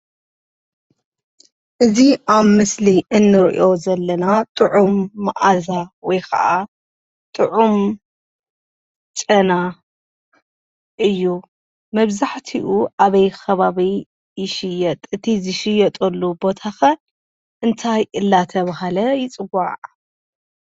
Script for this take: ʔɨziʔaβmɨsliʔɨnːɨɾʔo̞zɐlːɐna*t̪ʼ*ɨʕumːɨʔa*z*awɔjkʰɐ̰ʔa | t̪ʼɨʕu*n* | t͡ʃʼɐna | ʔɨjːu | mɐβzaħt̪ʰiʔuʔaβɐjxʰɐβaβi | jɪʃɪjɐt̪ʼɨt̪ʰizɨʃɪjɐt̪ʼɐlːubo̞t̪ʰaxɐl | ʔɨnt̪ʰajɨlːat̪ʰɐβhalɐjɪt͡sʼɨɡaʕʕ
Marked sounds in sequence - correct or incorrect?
correct, correct, incorrect: m

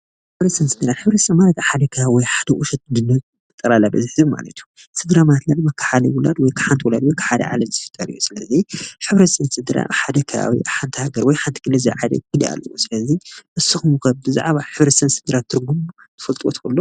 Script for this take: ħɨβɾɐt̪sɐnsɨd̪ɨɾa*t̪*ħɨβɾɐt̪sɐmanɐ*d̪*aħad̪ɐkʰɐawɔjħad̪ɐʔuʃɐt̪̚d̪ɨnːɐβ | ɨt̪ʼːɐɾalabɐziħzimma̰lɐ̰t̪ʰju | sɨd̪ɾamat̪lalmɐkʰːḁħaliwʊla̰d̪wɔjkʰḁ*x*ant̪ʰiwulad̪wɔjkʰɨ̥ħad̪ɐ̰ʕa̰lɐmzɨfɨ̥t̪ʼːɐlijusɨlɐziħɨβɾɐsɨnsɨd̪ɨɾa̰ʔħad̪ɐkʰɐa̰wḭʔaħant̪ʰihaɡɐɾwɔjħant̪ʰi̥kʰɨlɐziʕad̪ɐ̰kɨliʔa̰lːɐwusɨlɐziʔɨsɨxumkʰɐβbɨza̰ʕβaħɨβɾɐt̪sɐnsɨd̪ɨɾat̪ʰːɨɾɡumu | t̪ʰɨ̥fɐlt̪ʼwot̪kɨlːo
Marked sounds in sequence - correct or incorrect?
correct, incorrect: t̪, incorrect: ħ

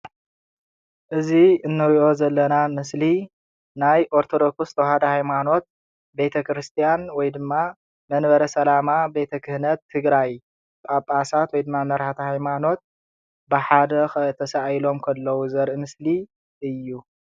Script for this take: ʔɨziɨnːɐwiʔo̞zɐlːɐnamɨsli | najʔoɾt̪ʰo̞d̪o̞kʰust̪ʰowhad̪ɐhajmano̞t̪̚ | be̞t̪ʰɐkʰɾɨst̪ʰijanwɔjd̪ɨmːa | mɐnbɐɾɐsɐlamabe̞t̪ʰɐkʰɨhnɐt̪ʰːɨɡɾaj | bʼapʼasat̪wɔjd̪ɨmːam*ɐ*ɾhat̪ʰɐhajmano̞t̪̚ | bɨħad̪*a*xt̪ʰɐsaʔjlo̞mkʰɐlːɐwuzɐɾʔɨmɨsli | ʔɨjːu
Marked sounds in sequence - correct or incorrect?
correct, incorrect: ɐ

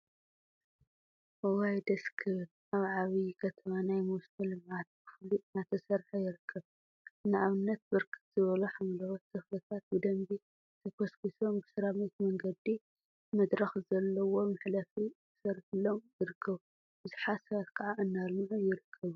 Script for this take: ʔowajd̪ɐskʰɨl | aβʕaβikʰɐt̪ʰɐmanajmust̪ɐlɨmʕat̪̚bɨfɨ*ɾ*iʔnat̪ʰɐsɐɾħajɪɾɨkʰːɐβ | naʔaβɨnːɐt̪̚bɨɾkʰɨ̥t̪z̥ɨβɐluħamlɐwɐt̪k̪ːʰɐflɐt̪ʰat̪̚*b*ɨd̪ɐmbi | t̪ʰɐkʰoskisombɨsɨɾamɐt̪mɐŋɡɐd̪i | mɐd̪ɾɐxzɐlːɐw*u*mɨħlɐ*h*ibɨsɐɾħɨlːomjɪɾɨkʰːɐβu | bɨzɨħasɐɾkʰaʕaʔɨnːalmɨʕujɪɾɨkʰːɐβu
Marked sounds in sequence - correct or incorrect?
incorrect: l, correct, incorrect: o, incorrect: f

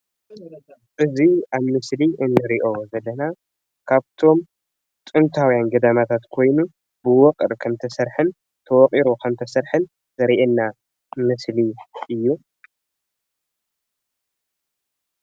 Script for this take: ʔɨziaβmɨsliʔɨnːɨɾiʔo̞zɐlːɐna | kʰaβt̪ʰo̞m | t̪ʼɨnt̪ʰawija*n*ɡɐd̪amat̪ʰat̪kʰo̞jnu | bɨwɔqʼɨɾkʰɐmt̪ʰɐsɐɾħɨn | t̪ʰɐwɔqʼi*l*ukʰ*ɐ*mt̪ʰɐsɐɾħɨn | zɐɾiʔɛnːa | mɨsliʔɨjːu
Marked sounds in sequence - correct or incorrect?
correct, incorrect: ɾ, correct

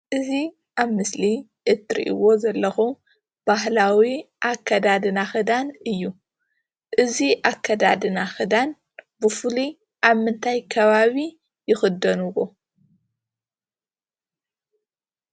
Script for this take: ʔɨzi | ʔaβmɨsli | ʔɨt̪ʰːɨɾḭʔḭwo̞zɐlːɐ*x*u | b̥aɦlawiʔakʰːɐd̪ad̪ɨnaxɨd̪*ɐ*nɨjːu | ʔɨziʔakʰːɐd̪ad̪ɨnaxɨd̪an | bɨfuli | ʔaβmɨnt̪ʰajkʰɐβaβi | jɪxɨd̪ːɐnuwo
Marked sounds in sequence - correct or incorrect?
correct, incorrect: a

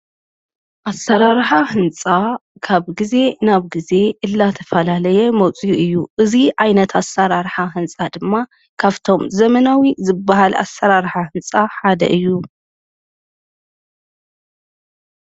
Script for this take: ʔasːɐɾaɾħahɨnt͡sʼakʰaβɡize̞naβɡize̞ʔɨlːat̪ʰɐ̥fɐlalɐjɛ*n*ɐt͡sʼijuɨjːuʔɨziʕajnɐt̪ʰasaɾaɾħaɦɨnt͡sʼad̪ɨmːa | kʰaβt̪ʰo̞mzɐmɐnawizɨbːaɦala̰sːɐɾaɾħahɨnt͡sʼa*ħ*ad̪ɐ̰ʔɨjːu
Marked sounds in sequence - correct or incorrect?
incorrect: m, correct

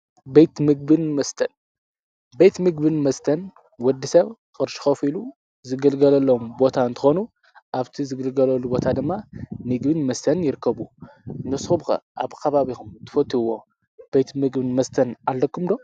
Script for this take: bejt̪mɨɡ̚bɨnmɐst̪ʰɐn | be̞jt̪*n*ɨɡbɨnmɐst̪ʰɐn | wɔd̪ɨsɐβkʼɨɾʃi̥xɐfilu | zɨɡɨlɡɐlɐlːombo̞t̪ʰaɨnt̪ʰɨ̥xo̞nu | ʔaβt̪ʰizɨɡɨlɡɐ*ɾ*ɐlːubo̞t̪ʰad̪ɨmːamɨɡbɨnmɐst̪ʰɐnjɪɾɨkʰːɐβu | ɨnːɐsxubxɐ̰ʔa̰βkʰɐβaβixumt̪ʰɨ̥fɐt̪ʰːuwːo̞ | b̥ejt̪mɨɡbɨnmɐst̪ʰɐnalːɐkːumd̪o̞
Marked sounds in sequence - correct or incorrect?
incorrect: m, incorrect: l

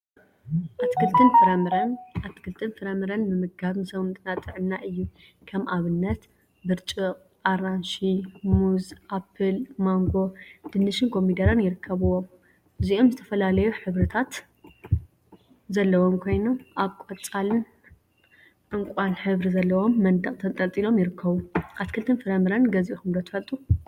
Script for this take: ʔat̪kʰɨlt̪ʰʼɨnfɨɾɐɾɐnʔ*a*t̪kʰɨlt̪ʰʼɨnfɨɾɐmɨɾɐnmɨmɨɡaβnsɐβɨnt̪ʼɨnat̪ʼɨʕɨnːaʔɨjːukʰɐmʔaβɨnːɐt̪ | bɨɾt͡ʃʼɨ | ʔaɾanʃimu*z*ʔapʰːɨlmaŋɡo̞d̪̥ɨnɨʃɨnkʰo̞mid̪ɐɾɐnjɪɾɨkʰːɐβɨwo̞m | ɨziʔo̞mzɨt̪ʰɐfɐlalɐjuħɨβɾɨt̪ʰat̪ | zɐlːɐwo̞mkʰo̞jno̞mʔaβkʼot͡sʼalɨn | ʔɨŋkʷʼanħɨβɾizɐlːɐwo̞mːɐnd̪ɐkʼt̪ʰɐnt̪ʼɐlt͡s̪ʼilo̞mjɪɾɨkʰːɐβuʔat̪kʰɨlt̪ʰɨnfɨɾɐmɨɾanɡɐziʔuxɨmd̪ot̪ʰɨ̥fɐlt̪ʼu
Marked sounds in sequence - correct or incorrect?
correct, correct

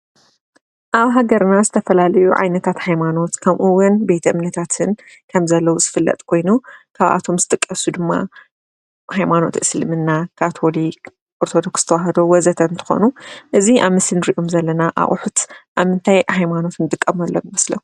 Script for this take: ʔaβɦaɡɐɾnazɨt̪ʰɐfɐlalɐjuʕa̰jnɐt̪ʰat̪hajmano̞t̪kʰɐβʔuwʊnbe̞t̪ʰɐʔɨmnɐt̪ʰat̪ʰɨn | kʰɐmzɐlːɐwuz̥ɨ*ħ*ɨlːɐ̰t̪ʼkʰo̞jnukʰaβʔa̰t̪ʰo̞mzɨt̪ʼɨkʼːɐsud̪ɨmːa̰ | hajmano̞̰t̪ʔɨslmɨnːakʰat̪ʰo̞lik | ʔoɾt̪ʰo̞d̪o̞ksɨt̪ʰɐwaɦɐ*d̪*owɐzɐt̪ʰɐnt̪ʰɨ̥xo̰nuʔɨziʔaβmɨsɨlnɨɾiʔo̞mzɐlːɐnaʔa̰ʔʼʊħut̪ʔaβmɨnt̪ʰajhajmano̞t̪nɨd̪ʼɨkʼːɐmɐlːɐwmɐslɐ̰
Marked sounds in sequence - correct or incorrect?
incorrect: f, correct

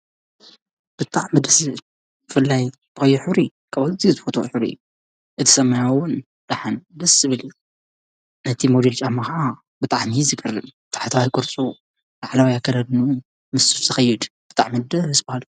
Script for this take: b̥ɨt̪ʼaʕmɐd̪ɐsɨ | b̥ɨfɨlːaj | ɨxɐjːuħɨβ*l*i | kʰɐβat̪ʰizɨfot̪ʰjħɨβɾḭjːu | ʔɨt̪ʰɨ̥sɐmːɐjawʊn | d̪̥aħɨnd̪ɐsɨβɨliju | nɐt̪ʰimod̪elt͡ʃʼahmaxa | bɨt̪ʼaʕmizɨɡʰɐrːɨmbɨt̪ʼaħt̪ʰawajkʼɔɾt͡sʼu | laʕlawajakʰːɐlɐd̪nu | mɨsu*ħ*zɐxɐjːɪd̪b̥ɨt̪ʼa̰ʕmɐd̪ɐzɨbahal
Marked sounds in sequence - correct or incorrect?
incorrect: ɾ, incorrect: f

